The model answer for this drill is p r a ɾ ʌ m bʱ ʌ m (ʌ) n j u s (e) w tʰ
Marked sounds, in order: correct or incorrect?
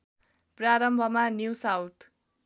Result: incorrect: a, incorrect: a

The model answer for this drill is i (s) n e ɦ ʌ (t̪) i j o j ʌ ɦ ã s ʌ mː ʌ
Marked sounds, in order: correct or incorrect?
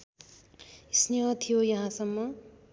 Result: correct, incorrect: t̪ʰ

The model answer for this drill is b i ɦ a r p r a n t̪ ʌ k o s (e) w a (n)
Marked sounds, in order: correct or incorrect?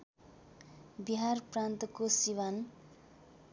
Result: incorrect: i, correct

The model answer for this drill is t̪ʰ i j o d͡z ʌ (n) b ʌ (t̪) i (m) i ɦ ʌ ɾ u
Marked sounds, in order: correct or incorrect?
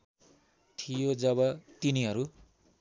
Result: incorrect: none, correct, incorrect: n

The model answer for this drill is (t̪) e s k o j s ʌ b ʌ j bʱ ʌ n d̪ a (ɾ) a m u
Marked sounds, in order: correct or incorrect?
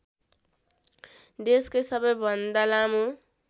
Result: incorrect: d̪, incorrect: l

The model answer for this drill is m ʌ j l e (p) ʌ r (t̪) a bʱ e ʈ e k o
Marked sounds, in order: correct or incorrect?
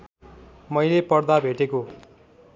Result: correct, incorrect: d̪

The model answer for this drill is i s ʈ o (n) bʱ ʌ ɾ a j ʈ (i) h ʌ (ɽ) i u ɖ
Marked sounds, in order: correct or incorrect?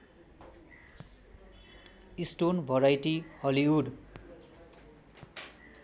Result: correct, correct, incorrect: l

